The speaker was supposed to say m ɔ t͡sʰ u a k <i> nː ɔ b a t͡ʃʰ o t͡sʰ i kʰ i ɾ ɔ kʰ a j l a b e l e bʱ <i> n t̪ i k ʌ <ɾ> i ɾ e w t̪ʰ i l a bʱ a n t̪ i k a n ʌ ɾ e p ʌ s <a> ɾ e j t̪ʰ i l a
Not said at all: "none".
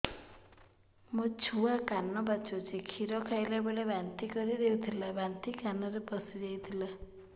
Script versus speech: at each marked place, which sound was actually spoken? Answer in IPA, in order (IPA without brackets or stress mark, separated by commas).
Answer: a, a, ɾ, i